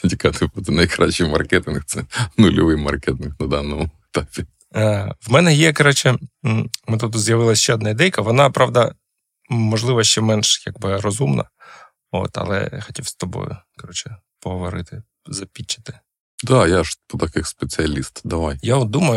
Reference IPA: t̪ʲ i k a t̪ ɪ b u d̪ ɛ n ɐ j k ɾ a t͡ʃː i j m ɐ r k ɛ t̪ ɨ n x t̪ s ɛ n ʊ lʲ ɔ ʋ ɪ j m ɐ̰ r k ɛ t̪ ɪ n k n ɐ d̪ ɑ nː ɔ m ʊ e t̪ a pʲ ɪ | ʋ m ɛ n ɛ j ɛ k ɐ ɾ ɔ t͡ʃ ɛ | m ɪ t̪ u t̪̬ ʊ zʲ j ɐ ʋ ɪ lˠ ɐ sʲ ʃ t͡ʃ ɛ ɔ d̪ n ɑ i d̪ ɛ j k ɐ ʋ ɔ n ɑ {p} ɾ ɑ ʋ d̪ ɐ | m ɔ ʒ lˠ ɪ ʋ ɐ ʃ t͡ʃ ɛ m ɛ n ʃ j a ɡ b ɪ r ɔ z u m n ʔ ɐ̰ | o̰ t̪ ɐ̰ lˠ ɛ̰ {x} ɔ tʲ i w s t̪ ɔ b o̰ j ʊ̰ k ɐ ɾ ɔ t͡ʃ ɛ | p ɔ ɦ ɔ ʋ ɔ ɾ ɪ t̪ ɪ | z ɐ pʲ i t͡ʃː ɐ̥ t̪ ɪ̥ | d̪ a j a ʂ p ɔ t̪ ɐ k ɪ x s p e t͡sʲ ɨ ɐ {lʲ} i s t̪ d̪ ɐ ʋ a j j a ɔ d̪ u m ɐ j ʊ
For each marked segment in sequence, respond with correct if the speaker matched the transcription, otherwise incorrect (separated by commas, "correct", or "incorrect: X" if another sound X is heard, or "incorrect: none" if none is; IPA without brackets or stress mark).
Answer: correct, correct, correct